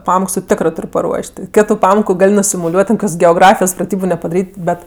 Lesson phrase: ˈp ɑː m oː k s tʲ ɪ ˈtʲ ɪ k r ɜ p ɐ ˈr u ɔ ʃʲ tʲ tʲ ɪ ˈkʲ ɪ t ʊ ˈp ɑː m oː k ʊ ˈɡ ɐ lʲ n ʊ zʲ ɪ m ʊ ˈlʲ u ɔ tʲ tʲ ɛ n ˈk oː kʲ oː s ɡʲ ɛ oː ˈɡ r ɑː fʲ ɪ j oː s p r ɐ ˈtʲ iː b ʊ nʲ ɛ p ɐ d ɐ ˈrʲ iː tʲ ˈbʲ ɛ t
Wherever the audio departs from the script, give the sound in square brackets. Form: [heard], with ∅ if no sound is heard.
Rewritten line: ˈp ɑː m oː k s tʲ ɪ ˈtʲ ɪ k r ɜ p ɐ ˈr u ɔ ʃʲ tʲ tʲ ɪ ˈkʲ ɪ t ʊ ˈp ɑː m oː k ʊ ˈɡ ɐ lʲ n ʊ [sʲ] ɪ m ʊ ˈlʲ u ɔ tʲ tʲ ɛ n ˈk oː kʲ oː s ɡʲ ɛ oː ˈɡ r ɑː fʲ ɪ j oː s p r ɐ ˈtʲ iː b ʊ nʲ ɛ p ɐ d ɐ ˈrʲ iː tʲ ˈbʲ ɛ t

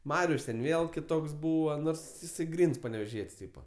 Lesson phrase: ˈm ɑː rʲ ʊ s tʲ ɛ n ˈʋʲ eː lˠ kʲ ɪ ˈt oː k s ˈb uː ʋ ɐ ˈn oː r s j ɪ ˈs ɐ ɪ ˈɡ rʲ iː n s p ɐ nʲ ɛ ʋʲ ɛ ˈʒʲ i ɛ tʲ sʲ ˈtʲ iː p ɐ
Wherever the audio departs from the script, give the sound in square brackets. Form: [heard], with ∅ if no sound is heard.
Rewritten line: ˈm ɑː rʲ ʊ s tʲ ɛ n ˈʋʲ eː lˠ kʲ ɪ ˈt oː k s ˈb uː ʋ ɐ ˈn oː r s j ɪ ˈs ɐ ɪ ˈɡ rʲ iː n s p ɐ nʲ ɛ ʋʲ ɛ ˈʒʲ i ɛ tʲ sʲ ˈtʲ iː p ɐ

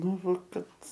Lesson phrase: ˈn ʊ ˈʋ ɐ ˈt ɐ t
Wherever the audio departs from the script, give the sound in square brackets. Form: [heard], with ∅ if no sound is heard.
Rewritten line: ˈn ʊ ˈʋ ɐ [ˈk] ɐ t

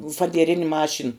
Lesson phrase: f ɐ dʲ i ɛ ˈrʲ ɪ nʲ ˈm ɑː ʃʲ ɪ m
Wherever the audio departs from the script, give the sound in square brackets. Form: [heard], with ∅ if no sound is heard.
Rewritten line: f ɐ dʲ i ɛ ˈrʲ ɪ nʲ ˈm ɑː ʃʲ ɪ [n]

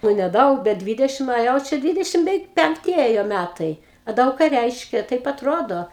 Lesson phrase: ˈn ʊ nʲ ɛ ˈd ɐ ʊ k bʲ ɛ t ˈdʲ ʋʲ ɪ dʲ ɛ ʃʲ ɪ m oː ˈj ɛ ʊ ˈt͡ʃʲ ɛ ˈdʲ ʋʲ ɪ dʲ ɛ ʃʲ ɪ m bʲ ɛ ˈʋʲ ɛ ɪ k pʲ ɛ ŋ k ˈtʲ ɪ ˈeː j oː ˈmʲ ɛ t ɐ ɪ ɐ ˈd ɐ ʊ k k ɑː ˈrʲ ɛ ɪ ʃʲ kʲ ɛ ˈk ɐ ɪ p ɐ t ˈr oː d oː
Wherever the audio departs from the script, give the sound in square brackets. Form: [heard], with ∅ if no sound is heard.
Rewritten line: ˈn ʊ nʲ ɛ ˈd ɐ ʊ k bʲ ɛ t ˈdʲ ʋʲ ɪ dʲ ɛ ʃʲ ɪ m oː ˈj ɛ ʊ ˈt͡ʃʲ ɛ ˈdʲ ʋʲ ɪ dʲ ɛ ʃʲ ɪ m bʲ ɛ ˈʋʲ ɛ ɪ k pʲ ɛ ŋ k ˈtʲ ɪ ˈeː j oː ˈmʲ [æ] t ɐ ɪ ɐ ˈd ɐ ʊ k k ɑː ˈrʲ ɛ ɪ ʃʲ kʲ ɛ [ˈt] ɐ ɪ p ɐ t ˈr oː d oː

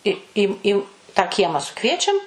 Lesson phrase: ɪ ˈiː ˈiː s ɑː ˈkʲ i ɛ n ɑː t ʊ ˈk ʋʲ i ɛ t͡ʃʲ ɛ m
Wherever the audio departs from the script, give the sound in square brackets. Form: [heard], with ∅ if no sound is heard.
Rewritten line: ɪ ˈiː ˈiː [t] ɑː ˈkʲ i ɛ [m] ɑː [s] ʊ ˈk ʋʲ i ɛ t͡ʃʲ ɛ m

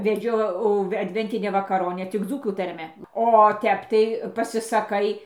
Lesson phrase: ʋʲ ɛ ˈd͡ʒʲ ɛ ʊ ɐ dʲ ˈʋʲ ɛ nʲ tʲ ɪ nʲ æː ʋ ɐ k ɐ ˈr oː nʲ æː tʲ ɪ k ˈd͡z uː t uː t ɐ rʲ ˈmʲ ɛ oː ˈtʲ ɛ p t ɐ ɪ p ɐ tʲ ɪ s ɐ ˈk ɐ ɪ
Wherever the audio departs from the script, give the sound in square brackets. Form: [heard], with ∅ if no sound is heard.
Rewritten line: ʋʲ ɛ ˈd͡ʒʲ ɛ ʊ ɐ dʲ ˈʋʲ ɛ nʲ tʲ ɪ nʲ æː ʋ ɐ k ɐ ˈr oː nʲ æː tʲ ɪ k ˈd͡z uː [k] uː t ɐ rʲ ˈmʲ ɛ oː ˈtʲ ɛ p t ɐ ɪ p ɐ [sʲ] ɪ s ɐ ˈk ɐ ɪ

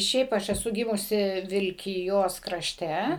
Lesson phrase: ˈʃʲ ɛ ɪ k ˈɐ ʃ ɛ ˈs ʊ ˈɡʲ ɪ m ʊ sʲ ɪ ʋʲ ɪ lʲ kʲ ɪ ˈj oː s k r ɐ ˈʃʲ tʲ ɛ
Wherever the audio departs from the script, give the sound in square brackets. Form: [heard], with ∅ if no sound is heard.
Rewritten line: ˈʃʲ ɛ ɪ [p] ˈɐ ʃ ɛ ˈs ʊ ˈɡʲ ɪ m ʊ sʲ ɪ ʋʲ ɪ lʲ kʲ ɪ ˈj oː s k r ɐ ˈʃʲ tʲ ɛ

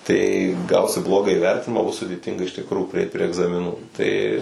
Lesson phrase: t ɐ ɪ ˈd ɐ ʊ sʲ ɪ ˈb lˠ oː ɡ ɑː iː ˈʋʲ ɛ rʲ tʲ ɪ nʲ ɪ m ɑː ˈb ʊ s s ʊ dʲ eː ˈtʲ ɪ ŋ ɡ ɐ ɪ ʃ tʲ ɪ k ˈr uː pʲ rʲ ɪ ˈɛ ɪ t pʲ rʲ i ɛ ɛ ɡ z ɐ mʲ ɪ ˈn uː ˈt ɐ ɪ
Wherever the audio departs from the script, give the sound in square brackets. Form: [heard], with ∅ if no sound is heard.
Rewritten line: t ɐ ɪ [ˈɡ] ɐ ʊ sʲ ɪ ˈb lˠ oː ɡ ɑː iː ˈʋʲ ɛ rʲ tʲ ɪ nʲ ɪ m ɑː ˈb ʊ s s ʊ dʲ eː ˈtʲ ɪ ŋ ɡ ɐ ɪ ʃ tʲ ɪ k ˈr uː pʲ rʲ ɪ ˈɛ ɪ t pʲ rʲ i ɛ ɛ ɡ z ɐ mʲ ɪ ˈn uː ˈt ɐ ɪ

